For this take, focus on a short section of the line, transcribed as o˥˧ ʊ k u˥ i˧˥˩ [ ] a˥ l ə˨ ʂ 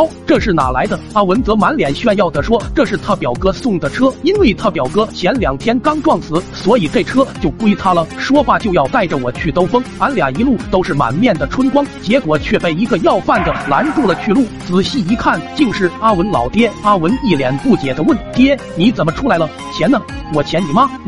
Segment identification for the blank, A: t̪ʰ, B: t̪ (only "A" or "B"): A